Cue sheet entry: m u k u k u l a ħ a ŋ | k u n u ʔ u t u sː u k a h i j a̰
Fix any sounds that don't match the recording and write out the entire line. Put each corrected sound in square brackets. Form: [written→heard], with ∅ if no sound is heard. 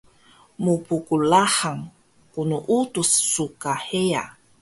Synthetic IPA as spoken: m u [k→p] u k u l a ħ a ŋ | k u n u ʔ u t u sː u k a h [i→e] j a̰